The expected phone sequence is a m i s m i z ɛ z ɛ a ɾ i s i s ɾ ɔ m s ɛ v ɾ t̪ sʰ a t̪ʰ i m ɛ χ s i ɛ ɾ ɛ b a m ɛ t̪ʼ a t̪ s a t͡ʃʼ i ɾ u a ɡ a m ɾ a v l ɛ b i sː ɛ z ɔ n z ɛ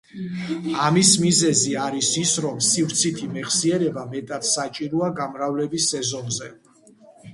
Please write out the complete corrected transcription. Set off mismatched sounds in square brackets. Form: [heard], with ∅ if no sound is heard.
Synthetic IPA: a m i s m i z ɛ z [i] a ɾ i s i s ɾ ɔ m s [i] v ɾ t̪ sʰ [i] t̪ʰ i m ɛ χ s i ɛ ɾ ɛ b a m ɛ t̪ʼ a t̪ s a t͡ʃʼ i ɾ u a ɡ a m ɾ a v l ɛ b i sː ɛ z ɔ n z ɛ